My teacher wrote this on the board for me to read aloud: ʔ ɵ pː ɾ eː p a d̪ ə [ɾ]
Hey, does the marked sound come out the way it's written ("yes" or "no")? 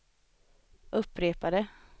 no